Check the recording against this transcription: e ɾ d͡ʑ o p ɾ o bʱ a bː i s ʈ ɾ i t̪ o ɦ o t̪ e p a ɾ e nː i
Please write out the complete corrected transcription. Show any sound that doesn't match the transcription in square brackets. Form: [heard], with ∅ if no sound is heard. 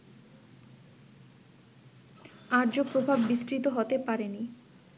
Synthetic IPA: [a] ɾ d͡ʑ o p ɾ o bʱ a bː i s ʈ ɾ i t̪ o ɦ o t̪ e p a ɾ e [n] i